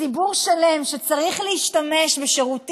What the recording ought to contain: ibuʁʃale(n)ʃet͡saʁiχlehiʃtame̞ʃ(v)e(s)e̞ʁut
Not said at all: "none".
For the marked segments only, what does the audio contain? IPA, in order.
m, b, ʃ

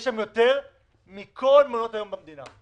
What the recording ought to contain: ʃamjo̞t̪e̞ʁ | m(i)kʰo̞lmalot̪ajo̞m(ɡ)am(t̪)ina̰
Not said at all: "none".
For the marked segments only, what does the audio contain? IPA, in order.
i, b, d̪

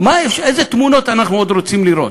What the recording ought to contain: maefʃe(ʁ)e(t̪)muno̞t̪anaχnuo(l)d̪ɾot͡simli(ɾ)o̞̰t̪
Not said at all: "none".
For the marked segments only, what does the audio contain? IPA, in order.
z, t̪, none, ɾ

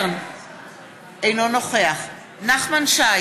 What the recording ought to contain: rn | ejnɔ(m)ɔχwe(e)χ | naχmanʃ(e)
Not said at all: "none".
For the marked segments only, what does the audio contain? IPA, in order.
n, a, a

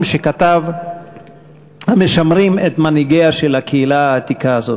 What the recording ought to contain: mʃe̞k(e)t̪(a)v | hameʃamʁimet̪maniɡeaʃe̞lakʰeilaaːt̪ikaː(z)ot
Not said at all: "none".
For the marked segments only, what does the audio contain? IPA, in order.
a, a, z

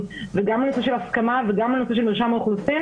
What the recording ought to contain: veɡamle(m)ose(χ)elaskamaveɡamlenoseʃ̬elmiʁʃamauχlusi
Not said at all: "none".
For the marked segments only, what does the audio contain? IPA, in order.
n, ʃ

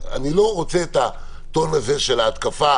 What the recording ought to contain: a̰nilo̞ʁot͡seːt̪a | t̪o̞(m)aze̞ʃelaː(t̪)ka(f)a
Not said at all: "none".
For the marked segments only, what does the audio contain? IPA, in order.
n, t̪, f

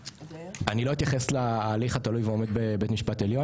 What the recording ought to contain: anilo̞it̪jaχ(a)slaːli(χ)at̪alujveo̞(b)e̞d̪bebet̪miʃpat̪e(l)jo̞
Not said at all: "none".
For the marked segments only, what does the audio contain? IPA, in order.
e, χ, m, l

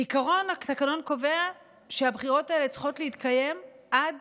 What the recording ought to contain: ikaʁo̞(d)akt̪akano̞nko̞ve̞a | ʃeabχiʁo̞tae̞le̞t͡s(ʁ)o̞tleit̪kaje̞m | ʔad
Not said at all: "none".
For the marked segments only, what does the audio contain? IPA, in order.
n, χ

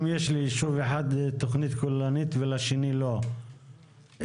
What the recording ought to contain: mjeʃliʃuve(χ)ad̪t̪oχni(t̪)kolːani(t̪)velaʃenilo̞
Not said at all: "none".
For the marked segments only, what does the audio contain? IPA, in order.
ħ, t̪, t̪

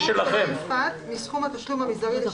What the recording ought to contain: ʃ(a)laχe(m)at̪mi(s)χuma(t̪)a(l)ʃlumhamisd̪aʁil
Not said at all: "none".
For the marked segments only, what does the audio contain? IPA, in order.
e, m, s, t̪, none

